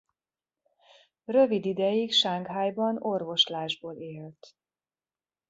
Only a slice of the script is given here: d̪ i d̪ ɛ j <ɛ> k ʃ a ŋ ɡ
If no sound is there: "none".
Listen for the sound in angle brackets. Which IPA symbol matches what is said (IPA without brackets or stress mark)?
i